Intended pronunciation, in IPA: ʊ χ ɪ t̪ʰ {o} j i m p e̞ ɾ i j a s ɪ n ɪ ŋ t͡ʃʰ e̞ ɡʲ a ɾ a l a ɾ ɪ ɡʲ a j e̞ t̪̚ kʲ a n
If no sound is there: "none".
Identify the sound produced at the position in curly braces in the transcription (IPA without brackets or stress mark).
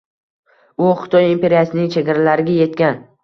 ɒ